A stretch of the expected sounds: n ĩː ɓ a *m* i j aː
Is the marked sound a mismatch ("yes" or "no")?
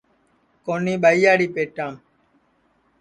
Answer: yes